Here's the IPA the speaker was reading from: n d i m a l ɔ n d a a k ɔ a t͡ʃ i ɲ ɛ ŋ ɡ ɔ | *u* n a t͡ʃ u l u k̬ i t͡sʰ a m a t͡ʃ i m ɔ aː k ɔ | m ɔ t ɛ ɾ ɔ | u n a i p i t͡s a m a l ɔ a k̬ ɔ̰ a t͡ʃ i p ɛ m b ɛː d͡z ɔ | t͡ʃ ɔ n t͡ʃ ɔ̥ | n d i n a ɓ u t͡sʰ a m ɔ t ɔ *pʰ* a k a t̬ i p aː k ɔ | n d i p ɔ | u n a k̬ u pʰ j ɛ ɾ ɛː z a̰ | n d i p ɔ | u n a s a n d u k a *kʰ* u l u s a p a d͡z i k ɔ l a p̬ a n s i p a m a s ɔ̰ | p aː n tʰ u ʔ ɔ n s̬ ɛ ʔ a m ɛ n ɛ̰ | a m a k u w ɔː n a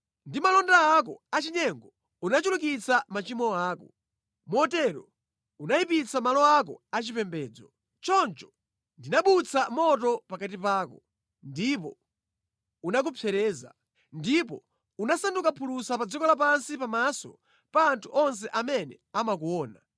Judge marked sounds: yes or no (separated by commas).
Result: yes, no, no